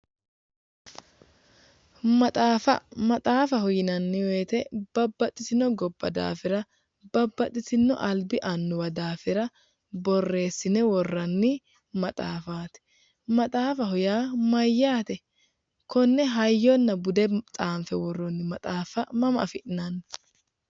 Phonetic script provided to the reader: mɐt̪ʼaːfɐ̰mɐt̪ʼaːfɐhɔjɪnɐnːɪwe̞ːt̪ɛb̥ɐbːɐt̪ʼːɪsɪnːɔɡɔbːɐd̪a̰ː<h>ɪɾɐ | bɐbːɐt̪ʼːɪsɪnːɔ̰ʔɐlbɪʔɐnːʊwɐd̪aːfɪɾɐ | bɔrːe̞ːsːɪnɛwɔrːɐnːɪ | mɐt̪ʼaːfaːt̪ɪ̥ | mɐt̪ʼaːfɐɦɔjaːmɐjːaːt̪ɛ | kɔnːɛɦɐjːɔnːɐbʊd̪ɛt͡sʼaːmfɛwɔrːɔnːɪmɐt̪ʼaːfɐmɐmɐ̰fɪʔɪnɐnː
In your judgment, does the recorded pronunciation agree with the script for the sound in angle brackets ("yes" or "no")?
no